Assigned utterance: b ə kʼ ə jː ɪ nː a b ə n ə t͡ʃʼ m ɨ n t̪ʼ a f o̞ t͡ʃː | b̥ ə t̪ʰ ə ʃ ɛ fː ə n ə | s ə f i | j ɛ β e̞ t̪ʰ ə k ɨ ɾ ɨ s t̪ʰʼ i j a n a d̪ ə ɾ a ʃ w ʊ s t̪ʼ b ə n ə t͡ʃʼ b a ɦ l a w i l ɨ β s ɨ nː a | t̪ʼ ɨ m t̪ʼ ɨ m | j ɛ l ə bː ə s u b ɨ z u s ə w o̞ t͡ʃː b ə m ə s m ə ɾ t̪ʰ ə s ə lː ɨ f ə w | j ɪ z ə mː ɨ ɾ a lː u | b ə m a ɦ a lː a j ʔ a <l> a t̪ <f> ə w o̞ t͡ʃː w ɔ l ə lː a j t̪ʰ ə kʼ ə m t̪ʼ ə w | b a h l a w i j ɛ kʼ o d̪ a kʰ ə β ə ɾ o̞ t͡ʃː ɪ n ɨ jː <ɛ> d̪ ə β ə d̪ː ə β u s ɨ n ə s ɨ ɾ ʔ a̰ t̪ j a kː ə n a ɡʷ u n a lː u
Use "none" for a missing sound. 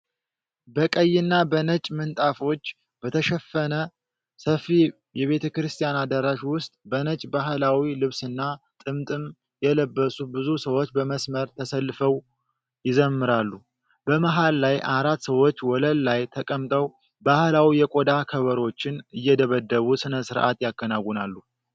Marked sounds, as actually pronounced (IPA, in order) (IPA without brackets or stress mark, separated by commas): ɾ, s, ɛ